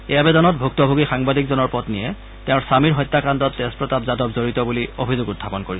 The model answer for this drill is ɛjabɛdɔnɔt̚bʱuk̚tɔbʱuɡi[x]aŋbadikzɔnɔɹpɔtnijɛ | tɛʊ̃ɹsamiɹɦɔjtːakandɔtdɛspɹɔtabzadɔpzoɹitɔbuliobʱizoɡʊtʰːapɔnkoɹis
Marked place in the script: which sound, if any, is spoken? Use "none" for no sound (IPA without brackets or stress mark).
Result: x